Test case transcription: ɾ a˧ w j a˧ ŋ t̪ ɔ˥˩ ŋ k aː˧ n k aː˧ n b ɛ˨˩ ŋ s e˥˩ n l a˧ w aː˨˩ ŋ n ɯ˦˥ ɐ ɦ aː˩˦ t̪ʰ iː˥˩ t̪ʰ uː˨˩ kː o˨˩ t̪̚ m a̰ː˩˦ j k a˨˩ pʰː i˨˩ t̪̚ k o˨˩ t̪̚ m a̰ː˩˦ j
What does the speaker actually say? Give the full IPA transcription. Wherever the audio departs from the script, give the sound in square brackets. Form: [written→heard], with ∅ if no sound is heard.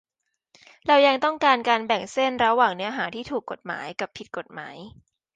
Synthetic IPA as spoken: ɾ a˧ w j a˧ ŋ t̪ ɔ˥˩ ŋ k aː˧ n k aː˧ n b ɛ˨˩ ŋ s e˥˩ n [l→ɾ] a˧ w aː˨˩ ŋ n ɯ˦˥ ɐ ɦ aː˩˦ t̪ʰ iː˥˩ t̪ʰ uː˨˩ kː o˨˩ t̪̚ m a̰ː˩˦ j k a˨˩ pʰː i˨˩ t̪̚ k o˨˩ t̪̚ m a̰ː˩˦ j